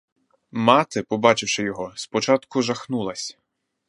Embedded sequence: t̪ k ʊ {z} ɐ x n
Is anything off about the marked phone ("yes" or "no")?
yes